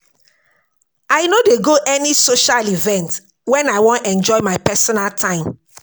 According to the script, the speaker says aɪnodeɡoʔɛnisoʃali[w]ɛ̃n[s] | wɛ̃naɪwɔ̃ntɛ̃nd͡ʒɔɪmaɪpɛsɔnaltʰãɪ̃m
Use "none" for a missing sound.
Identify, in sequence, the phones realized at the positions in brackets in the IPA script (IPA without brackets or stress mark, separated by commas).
v, t